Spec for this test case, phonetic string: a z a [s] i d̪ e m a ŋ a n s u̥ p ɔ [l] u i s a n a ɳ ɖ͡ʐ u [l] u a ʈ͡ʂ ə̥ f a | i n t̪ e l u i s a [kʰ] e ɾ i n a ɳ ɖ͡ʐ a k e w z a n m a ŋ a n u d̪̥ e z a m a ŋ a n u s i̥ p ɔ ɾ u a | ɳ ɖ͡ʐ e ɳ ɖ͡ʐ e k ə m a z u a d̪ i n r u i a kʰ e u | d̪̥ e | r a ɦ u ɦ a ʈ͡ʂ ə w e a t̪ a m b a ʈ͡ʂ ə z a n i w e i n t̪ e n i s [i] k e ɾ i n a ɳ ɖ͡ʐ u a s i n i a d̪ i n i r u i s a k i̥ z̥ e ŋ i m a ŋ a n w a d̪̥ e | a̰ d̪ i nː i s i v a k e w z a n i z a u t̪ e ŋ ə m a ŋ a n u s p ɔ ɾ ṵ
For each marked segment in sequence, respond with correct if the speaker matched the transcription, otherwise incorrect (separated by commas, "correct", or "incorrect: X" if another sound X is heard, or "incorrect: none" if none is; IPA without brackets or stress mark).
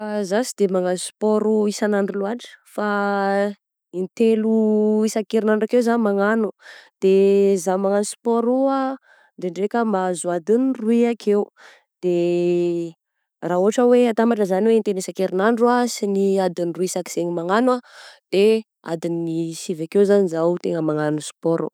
correct, incorrect: ɾ, correct, incorrect: k, incorrect: a